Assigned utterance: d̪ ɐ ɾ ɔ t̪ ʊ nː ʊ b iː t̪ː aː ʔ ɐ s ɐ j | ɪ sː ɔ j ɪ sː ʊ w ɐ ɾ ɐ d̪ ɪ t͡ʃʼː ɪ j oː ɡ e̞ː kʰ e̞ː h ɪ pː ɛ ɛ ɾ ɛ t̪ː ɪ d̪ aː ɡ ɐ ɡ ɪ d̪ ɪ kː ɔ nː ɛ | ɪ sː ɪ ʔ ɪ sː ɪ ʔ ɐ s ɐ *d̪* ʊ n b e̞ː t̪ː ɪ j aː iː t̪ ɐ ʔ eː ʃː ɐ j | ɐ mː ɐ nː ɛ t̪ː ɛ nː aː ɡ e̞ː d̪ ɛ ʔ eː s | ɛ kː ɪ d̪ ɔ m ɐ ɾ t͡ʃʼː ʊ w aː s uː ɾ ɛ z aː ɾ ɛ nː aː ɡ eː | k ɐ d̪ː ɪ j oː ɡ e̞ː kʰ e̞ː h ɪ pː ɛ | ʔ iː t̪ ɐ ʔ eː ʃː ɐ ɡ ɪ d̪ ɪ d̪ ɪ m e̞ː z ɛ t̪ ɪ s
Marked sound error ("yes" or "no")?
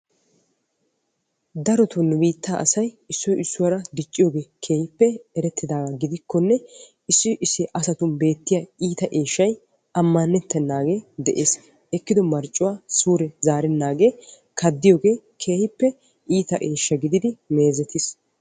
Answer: yes